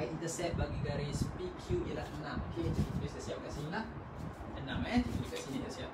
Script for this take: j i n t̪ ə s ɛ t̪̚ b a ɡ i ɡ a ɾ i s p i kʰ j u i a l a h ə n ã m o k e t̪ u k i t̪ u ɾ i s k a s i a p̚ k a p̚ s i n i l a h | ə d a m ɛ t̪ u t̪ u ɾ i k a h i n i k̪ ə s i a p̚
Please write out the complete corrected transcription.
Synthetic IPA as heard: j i n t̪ ə s ɛ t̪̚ b a ɡ i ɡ a ɾ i s p i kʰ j u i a l a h ə n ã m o k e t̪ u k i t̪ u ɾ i s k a s i a p̚ k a s i n i l a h | ə n a m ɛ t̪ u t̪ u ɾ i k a s i n i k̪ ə s i a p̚